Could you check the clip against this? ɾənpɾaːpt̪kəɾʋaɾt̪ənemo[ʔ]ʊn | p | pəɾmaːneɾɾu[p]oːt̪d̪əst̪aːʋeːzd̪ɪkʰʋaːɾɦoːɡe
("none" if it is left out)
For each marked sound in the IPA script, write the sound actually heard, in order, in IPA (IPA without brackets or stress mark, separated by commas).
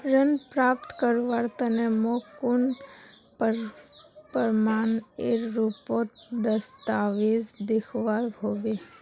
k, p